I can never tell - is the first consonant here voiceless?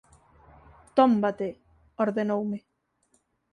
yes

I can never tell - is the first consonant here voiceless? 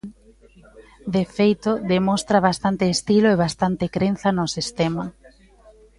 no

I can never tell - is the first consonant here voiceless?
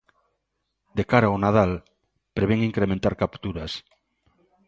no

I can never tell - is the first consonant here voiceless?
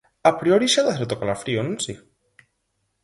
yes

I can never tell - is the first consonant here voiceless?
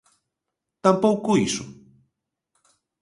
yes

